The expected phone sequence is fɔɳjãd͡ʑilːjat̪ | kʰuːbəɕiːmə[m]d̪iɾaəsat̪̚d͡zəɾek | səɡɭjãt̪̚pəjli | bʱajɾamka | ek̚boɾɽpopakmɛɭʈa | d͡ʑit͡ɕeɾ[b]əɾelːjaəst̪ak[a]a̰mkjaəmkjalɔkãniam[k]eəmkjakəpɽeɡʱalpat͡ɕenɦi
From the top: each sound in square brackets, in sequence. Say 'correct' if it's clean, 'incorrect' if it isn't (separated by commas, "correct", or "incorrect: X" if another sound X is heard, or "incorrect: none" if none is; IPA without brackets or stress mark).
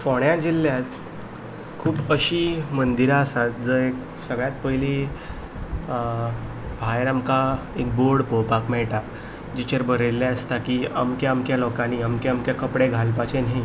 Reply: incorrect: n, correct, incorrect: i, correct